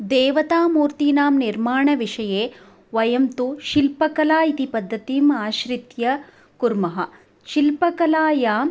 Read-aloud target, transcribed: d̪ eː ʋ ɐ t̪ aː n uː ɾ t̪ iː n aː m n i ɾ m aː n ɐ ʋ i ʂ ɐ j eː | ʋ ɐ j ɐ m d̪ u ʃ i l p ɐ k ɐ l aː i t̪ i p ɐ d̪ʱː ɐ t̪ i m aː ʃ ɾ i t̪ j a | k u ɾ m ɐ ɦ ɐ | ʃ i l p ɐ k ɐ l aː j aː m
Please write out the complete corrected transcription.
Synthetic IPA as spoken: d̪ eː ʋ ɐ t̪ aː m uː ɾ t̪ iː n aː m n i ɾ m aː ɳ ɐ ʋ i ʂ ɐ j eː | ʋ ɐ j ɐ m t̪ u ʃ i l p ɐ k ɐ l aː i t̪ i p ɐ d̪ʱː ɐ t̪ i m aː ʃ ɾ i t̪ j ɐ | k u ɾ m ɐ ɦ ɐ | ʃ i l p ɐ k ɐ l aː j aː m